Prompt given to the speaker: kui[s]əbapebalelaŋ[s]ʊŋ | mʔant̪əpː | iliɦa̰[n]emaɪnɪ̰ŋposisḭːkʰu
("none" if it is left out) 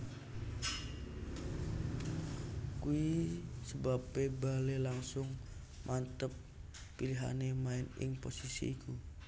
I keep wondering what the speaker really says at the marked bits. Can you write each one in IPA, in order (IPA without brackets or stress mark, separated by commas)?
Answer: s, s, n